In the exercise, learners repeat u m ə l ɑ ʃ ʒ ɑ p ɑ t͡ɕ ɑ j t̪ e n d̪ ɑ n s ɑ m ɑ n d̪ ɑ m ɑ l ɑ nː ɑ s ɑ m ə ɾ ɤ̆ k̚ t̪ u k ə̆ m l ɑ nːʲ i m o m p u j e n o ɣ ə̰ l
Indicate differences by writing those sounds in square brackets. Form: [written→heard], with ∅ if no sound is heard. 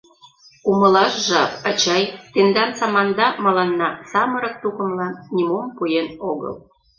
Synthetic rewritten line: u m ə l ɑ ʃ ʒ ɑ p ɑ t͡ɕ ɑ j t̪ e n d̪ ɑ n s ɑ m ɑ n d̪ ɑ m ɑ l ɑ nː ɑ s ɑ m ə ɾ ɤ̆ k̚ t̪ u k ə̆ m l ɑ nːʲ i m o m p u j e n o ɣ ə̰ l